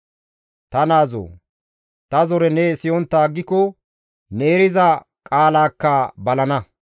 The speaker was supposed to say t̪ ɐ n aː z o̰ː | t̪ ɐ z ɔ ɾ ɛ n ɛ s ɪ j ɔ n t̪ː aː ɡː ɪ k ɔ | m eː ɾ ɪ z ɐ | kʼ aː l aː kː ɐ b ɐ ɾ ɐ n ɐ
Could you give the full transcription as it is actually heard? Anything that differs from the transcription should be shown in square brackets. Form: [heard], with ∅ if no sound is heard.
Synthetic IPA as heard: t̪ ɐ n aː z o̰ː | t̪ ɐ z ɔ ɾ ɛ n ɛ s ɪ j ɔ n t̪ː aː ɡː ɪ k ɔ | [n] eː ɾ ɪ z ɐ | kʼ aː l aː kː ɐ b ɐ [l] ɐ n ɐ